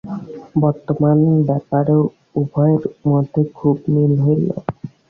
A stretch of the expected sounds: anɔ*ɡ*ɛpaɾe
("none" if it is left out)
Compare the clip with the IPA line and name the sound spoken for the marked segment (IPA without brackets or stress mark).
b